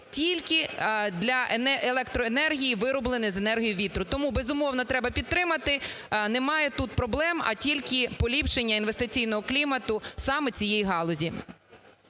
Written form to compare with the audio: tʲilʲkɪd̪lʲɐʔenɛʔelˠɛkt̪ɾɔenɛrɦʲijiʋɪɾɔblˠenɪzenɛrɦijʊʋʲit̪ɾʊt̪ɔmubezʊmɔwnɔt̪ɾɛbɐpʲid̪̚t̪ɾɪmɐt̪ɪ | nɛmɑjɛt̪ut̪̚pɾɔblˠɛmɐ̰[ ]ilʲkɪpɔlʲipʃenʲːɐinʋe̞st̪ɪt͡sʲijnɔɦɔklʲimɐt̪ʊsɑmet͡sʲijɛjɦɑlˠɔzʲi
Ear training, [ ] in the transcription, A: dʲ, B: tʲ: B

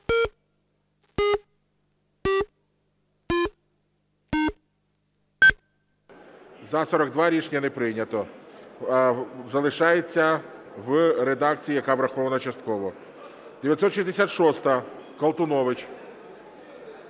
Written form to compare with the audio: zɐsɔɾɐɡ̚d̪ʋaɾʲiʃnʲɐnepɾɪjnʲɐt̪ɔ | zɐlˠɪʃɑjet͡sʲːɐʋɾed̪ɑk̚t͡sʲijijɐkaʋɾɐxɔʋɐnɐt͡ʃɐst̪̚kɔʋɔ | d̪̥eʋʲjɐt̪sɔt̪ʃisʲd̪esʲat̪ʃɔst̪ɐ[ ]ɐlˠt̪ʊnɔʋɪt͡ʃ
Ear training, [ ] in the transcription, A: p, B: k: B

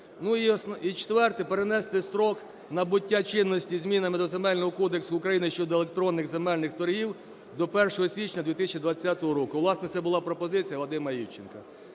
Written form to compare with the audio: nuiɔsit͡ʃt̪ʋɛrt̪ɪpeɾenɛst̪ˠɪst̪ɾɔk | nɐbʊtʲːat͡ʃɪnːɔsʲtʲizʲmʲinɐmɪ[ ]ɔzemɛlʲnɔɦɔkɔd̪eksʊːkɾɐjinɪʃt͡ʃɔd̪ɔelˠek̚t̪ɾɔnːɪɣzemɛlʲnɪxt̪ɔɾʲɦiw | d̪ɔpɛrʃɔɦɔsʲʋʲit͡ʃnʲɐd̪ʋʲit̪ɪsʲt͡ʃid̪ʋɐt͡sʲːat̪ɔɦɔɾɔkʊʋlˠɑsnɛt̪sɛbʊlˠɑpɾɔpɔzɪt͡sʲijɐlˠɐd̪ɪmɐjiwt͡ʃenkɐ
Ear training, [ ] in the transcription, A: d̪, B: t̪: A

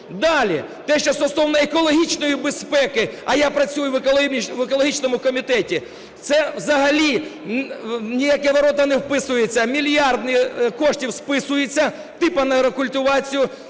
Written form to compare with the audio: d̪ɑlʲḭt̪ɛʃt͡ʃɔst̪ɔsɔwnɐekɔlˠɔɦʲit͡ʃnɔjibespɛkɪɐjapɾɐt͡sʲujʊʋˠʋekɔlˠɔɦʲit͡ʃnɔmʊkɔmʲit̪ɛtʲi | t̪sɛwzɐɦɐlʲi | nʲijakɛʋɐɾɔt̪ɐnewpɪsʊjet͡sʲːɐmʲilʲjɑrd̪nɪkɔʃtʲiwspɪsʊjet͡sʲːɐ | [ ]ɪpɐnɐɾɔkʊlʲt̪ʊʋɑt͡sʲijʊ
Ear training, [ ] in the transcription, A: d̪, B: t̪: B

